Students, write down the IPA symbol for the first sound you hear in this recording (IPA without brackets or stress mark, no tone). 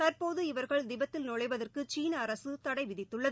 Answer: t̪